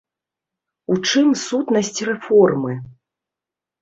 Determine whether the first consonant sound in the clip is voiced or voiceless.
voiceless